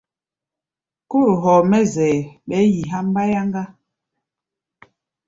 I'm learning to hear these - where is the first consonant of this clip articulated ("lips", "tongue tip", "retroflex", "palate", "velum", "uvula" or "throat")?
velum